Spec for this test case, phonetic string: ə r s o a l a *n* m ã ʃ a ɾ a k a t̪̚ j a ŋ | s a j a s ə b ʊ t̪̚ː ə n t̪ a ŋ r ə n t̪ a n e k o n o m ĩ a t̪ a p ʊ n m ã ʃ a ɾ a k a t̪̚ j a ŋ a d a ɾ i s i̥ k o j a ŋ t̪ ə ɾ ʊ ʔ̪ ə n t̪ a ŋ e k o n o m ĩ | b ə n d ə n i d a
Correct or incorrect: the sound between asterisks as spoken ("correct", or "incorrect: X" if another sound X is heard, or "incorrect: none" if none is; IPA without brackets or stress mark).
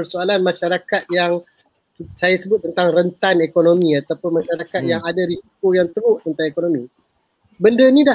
correct